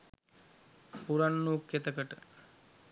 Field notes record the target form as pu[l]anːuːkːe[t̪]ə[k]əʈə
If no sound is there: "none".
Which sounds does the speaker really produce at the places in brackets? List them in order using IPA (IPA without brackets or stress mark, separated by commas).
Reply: ɾ, t̪, k